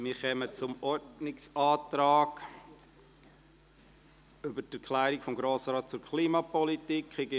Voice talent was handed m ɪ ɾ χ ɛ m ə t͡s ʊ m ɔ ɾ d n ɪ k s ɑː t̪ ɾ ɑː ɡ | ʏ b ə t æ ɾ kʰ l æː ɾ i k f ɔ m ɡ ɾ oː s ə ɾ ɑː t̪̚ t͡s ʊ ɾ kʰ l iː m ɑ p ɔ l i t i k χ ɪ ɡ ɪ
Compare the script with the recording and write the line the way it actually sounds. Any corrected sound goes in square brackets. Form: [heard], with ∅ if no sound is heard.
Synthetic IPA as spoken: m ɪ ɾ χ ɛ m ə t͡s ʊ m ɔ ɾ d n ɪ k s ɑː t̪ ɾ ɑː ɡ | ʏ b ə t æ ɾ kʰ l æː ɾ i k f ɔ m ɡ ɾ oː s ə ɾ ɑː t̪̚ t͡s ʊ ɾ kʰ l iː m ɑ p ɔ l i t i k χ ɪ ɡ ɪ